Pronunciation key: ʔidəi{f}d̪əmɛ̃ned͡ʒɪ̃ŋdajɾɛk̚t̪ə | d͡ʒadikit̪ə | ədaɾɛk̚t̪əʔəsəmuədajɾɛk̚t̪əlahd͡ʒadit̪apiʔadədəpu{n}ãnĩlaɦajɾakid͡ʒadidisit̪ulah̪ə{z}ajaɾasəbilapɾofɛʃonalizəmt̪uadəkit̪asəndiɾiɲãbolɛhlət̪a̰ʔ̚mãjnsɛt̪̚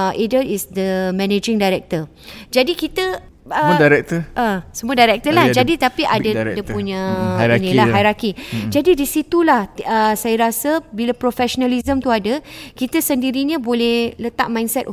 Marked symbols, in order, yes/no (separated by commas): no, no, no